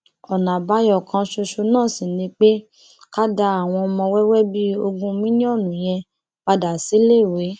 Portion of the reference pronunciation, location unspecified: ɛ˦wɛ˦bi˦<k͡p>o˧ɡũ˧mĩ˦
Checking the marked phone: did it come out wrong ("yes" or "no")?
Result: yes